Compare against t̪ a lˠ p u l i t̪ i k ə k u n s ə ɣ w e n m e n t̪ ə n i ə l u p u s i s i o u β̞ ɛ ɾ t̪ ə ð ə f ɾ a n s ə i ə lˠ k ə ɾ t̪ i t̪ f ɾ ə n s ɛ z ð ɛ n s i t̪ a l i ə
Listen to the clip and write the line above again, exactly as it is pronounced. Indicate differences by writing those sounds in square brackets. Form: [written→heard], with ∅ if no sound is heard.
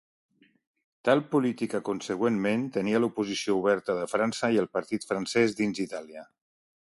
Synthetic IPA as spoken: t̪ a lˠ p u l i t̪ i k ə k u n s ə ɣ w e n m e n t̪ ə n i ə l u p u [s→z] i s i o u β̞ ɛ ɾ t̪ ə ð ə f ɾ a n s ə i ə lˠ [k→p] ə ɾ t̪ i t̪ f ɾ ə n s ɛ z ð [ɛ→i] n [s→z] i t̪ a l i ə